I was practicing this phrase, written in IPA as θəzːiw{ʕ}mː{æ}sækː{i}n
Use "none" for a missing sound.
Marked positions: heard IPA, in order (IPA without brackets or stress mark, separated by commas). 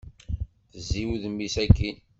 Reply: ð, i, i